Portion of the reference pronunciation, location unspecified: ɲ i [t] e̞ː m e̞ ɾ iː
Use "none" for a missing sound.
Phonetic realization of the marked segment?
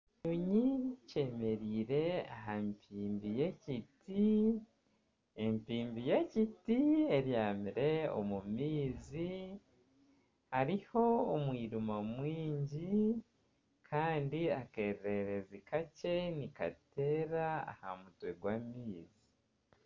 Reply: c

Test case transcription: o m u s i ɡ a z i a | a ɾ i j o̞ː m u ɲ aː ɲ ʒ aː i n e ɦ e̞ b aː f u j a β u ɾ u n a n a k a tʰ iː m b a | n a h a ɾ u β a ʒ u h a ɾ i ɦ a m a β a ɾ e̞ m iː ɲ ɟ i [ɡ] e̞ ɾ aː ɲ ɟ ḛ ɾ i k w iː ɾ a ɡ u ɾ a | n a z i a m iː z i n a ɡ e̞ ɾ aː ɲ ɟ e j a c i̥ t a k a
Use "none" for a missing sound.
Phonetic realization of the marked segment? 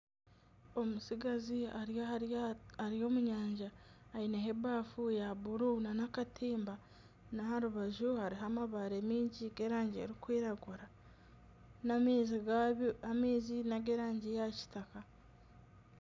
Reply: ɡ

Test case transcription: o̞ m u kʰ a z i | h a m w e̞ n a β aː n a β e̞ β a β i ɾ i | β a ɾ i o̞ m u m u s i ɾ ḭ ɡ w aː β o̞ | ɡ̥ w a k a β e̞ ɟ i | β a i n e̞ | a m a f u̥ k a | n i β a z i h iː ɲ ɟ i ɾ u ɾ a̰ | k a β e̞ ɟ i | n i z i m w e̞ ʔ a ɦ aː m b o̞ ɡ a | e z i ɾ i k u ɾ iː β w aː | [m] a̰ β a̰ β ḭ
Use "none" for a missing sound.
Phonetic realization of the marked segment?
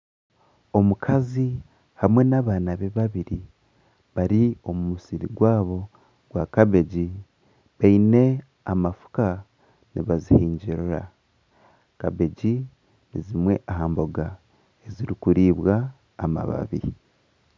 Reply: m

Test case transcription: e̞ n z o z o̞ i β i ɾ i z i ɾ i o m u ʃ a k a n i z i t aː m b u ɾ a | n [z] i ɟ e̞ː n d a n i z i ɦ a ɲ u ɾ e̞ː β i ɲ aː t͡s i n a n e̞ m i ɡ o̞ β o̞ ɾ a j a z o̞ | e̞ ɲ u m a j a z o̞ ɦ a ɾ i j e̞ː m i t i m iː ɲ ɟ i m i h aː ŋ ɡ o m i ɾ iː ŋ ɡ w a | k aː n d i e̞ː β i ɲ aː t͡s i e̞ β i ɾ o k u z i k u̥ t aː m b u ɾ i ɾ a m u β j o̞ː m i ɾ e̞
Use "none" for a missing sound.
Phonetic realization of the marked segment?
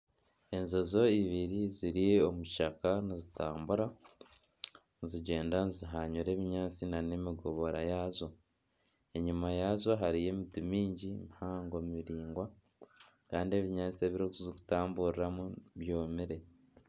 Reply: z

